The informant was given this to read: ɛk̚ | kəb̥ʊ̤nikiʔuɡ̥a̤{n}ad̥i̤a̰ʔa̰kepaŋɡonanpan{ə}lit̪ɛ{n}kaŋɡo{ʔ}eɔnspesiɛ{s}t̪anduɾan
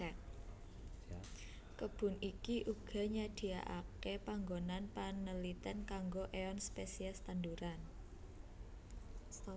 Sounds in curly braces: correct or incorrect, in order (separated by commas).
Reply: incorrect, correct, correct, correct, correct